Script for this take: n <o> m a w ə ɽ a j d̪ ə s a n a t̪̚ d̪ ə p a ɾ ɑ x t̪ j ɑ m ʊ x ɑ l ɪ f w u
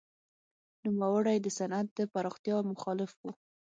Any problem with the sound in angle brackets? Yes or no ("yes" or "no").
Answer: yes